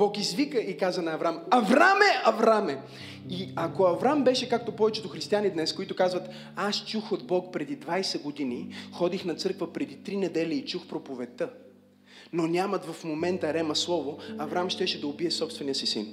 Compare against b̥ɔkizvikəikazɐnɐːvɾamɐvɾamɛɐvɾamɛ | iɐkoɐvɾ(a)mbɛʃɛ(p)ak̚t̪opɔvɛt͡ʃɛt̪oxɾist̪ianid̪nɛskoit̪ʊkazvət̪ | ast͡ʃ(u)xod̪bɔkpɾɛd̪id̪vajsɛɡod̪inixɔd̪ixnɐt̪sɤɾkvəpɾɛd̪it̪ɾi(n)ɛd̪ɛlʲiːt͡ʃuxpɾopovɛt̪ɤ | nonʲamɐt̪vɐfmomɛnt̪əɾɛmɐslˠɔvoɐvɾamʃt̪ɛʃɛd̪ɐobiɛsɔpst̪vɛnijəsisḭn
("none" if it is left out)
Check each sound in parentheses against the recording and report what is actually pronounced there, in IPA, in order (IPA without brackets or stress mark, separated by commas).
a, k, u, n